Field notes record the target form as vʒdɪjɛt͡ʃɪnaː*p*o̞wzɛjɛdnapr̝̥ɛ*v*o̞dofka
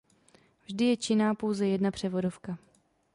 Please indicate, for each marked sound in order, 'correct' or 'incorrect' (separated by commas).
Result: correct, correct